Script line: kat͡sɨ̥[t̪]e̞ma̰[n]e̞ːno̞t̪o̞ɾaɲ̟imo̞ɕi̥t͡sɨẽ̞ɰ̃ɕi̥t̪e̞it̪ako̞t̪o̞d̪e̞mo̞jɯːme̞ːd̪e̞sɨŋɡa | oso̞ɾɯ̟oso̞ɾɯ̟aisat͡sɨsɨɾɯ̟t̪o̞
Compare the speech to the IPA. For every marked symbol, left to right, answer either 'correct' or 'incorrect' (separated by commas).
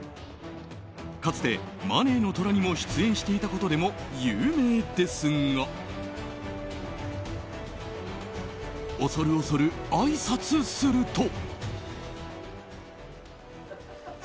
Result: correct, correct